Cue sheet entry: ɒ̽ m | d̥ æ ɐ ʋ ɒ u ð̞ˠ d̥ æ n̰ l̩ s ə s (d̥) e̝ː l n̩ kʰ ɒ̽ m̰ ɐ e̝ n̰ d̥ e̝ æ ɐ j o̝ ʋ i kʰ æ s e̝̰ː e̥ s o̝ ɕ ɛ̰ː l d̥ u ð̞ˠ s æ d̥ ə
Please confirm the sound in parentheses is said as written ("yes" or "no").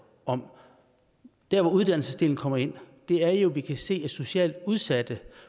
yes